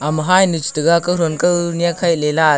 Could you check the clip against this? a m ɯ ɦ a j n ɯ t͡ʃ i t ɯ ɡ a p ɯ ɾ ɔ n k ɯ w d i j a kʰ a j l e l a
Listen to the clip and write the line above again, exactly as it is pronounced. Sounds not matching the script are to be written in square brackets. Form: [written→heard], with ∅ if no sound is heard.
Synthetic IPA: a m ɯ ɦ a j n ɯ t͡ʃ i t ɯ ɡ a [p→k] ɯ ɾ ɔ n k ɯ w [d→n] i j a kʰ a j l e l a

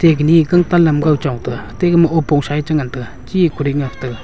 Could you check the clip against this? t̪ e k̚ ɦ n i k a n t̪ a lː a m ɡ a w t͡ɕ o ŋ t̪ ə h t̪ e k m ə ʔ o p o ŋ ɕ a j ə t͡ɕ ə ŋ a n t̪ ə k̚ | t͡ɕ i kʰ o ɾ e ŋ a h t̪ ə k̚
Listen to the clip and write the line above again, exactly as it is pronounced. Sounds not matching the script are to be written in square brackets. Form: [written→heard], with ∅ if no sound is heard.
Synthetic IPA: t̪ e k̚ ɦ n i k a [n→ŋ] t̪ a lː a m ɡ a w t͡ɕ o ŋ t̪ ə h t̪ e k m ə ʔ o p o ŋ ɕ a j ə t͡ɕ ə ŋ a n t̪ ə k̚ | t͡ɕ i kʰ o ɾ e ŋ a h t̪ ə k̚

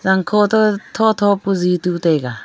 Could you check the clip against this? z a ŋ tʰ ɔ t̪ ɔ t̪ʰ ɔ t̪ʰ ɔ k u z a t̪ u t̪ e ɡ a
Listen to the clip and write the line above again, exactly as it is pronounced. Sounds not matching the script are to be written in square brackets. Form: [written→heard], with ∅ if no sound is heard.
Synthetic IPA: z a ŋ [tʰ→kʰ] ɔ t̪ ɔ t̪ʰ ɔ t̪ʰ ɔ [k→p] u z [a→i] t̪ u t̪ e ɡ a

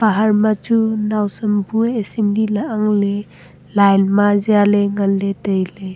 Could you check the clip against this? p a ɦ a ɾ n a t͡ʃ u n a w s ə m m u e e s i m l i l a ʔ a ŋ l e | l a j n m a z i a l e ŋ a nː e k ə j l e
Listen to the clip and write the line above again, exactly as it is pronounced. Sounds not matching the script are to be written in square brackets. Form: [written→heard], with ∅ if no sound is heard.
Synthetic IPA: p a ɦ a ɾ [n→m] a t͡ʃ u n a w s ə m [m→b] u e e s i m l i l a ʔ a ŋ l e | l a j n m a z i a l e ŋ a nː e [k→t] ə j l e

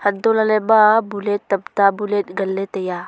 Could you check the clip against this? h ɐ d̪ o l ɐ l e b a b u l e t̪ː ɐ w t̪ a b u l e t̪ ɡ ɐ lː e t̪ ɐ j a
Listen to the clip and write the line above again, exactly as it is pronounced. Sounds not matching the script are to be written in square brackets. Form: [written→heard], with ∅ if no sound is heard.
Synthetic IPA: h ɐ d̪ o l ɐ l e b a b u l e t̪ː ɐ [w→b] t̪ a b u l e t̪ ɡ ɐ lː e t̪ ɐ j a

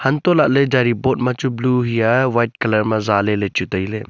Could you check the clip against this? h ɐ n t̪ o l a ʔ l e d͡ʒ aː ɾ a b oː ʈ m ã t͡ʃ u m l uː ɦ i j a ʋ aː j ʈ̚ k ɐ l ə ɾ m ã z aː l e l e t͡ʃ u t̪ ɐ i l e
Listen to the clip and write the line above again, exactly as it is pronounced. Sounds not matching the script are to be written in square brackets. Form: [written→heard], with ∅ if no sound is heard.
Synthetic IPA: h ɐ n t̪ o l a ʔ l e d͡ʒ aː ɾ [a→i] b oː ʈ m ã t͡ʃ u [m→b] l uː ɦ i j a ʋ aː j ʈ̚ k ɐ l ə ɾ m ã z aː l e l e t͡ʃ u t̪ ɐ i l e

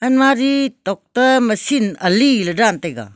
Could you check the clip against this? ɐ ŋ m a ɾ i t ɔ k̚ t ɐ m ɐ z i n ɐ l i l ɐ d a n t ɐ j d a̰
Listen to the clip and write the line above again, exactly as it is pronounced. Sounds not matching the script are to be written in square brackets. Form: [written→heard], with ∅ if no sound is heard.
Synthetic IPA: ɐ [ŋ→n] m a ɾ i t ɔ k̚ t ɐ m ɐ [z→s] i n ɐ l i l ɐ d a n t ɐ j [d→ɡ] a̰

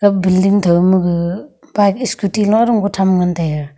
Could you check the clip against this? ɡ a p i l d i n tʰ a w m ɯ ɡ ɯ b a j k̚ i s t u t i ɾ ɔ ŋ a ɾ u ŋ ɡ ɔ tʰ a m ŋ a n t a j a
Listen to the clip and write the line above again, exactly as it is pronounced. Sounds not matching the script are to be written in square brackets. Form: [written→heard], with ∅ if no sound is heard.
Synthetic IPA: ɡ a [p→b] i l d i [n→ŋ] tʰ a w m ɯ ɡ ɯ b a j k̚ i s [t→k] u t i [ɾ→l] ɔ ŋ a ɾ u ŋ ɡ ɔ tʰ a m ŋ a n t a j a

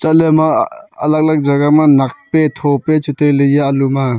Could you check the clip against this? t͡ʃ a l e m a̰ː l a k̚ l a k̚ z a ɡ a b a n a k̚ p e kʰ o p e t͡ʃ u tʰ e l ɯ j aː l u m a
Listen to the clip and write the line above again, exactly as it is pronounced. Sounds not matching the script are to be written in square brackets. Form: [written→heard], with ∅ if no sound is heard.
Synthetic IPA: t͡ʃ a l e m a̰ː l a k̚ l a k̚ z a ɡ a [b→m] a n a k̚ p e [kʰ→tʰ] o p e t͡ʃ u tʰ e l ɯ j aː l u m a

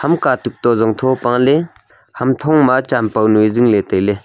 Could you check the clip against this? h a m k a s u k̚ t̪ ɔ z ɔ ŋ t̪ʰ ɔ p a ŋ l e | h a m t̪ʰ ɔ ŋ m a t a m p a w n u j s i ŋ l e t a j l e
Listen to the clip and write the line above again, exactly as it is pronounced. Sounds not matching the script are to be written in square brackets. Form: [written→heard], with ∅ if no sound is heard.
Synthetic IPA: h a m k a [s→t] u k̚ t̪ ɔ z ɔ ŋ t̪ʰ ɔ p a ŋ l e | h a m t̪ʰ ɔ ŋ m a [t→t͡ʃ] a m p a w n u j [s→z] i ŋ l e t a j l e

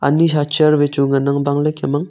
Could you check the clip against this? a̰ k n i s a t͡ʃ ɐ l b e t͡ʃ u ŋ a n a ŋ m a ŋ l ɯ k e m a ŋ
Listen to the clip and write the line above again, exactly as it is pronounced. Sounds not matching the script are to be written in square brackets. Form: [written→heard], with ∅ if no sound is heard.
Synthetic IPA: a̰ [k→∅] n i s a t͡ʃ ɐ [l→ɾ] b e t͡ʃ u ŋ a n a ŋ [m→b] a ŋ l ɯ k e m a ŋ

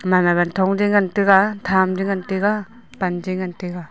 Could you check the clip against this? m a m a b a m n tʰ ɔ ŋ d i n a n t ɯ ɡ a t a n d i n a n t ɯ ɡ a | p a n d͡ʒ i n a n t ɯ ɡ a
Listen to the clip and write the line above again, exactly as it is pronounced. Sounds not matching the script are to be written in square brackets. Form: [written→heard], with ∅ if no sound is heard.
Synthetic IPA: m a m a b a [m→∅] n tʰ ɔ ŋ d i [n→ŋ] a n t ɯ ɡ a [t→tʰ] a [n→m] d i [n→ŋ] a n t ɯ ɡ a | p a n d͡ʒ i [n→ŋ] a n t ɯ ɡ a

